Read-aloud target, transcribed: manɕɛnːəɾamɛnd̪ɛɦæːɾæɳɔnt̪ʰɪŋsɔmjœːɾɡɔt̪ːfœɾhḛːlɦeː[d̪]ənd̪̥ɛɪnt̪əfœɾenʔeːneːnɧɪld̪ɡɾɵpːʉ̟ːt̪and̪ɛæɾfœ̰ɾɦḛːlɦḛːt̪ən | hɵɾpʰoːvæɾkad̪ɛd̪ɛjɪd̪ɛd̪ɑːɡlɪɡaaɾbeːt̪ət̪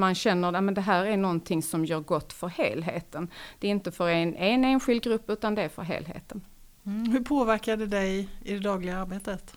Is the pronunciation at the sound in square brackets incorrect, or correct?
incorrect